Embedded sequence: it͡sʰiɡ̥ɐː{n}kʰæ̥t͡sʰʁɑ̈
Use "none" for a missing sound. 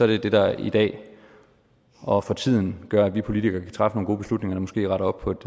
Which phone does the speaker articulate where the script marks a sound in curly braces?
none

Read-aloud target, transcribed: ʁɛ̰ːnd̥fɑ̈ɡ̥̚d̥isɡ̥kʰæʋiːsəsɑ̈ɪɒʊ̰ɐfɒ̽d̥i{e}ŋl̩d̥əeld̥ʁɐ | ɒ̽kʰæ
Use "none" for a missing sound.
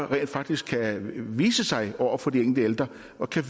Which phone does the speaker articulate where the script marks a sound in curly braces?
e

